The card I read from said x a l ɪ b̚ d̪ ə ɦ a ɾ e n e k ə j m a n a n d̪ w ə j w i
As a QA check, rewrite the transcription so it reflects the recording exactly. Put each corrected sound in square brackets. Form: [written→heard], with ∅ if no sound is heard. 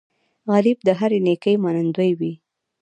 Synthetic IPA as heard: [x→ɣ] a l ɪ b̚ d̪ ə ɦ a ɾ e n e k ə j m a n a n d̪ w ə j w i